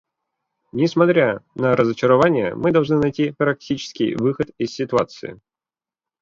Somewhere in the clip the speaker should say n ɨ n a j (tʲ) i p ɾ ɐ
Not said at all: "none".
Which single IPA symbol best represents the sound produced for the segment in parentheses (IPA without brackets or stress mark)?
tʲ